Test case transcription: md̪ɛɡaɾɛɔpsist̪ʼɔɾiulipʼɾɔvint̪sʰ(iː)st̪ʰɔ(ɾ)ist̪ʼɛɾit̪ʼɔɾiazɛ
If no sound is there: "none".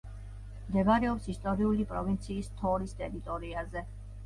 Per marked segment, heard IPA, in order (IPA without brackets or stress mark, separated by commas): iː, ɾ